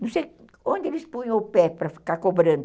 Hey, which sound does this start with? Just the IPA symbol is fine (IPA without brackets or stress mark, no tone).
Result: n